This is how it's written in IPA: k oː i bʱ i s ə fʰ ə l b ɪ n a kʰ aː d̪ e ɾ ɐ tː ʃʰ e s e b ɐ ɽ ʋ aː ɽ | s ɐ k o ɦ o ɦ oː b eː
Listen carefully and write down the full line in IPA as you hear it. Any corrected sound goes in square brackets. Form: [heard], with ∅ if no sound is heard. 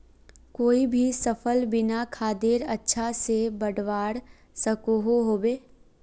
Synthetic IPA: k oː i bʱ i s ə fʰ ə l b ɪ n a kʰ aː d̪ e ɾ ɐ tː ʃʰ [a] s e b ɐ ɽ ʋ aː ɽ | s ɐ k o ɦ o ɦ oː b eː